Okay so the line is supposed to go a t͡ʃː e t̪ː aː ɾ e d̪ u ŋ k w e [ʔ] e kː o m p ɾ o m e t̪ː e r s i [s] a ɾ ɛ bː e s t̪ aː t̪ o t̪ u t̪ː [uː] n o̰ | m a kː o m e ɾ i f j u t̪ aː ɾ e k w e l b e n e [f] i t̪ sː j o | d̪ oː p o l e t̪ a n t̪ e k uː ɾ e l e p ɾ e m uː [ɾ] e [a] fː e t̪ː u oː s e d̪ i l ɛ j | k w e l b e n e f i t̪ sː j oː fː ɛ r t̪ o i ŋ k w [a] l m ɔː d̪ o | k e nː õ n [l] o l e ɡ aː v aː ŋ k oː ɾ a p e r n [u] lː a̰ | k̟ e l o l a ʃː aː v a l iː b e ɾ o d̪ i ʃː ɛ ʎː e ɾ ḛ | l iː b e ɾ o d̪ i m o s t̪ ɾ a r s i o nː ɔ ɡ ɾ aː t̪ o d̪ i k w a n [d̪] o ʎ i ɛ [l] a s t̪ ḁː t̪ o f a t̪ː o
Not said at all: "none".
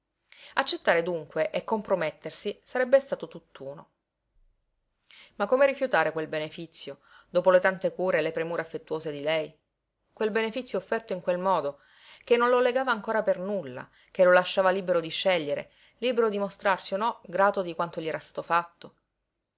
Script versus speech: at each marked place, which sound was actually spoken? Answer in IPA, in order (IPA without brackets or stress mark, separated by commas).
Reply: ʔ, s, uː, f, ɾ, a, e, l, u, t̪, ɾ